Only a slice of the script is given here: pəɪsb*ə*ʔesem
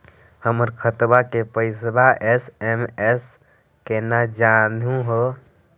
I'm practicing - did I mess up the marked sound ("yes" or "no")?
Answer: yes